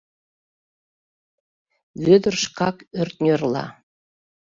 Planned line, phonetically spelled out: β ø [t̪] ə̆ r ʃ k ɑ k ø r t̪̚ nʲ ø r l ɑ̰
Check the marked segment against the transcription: incorrect: d̪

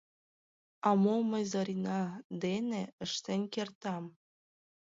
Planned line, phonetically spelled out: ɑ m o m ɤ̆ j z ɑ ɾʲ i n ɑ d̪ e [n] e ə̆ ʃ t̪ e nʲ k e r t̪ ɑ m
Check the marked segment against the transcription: correct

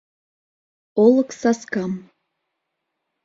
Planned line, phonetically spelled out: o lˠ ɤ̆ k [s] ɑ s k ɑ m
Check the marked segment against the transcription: correct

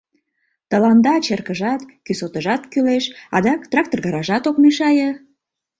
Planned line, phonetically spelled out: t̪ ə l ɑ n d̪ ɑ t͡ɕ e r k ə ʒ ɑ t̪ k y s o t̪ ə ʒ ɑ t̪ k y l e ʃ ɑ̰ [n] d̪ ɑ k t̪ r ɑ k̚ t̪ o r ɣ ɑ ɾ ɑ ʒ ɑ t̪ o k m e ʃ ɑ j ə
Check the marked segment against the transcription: incorrect: none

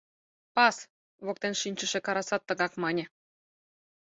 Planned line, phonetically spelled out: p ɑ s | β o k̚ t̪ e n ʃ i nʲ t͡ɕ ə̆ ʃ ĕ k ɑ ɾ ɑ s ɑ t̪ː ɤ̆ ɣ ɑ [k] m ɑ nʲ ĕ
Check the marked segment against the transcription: correct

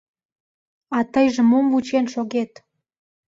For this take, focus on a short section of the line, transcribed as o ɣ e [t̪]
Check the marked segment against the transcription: correct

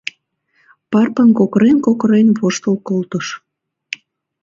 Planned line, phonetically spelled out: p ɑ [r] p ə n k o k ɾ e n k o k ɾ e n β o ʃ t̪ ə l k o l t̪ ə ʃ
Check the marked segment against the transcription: correct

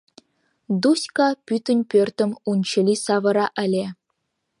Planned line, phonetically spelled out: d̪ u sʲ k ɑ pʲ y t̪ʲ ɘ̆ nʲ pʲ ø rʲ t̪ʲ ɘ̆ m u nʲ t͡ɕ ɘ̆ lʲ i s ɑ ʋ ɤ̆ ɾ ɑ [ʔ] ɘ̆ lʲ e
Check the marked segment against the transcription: correct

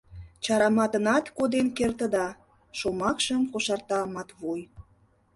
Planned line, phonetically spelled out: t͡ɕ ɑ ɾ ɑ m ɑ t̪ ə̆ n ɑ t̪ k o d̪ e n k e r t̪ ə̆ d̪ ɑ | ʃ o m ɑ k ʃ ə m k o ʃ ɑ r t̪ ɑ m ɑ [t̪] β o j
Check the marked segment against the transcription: correct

